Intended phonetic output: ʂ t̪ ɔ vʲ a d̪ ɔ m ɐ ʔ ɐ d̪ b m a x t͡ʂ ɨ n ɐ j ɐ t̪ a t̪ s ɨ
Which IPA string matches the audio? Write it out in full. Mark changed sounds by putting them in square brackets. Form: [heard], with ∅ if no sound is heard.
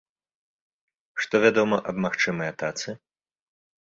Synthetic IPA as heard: ʂ t̪ ɔ vʲ a d̪ ɔ m ɐ ʔ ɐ [∅] b m a x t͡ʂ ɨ [m] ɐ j ɐ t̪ a t̪ s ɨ